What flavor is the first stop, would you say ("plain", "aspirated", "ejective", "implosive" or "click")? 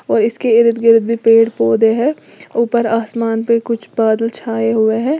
plain